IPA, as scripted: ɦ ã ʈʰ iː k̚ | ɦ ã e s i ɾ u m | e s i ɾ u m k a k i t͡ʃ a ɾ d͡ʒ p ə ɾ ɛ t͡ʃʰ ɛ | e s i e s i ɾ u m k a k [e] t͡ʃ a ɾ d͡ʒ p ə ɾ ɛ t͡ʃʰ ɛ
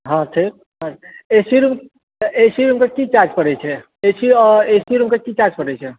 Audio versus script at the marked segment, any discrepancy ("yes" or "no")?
yes